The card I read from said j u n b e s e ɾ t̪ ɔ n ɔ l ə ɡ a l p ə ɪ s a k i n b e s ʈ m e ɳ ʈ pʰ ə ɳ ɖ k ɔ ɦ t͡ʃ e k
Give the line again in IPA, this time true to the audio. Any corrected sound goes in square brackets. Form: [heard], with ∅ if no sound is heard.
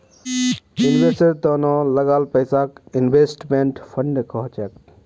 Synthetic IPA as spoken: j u n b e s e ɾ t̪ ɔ n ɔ l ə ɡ a l p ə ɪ s a k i n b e s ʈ m e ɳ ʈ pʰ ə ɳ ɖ k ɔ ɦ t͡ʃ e k